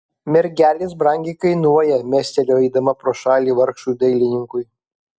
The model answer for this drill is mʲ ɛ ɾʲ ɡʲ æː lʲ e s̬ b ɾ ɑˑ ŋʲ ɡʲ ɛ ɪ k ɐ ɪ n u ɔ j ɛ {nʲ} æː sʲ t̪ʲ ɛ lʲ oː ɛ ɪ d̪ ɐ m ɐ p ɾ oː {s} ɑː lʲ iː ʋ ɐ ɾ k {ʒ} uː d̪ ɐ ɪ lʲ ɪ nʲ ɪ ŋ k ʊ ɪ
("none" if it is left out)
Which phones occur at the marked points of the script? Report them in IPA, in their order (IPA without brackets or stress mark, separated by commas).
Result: mʲ, ʃ, ʃ